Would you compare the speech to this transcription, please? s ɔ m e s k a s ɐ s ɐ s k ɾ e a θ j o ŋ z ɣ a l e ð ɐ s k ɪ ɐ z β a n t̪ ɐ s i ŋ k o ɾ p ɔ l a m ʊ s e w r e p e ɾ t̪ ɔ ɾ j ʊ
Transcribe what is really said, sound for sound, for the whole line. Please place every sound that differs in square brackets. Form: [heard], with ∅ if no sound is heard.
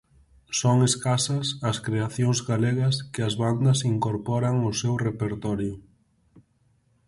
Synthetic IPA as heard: s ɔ [ŋ] e s k a s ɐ s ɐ s k ɾ e a θ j o ŋ z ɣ a l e [ɣ] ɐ s k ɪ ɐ z β a n [d̪] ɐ s i ŋ k o ɾ p ɔ [ɾ] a [ŋ] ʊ s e w r e p e ɾ t̪ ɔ ɾ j ʊ